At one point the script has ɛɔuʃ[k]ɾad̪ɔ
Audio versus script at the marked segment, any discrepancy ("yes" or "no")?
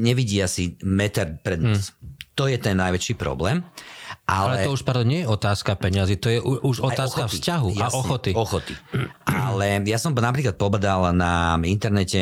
yes